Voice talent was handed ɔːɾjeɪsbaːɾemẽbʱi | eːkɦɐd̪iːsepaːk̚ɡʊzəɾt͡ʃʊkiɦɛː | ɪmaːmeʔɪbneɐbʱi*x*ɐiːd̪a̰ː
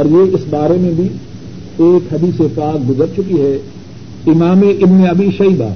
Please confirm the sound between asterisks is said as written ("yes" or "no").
no